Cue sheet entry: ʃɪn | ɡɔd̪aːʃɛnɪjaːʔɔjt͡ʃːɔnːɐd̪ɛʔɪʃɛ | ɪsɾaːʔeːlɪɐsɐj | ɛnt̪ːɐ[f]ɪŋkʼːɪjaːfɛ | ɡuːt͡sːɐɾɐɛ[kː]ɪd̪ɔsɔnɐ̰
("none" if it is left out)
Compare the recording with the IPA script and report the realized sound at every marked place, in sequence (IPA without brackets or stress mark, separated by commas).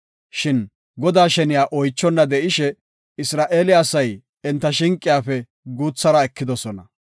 ʃ, kː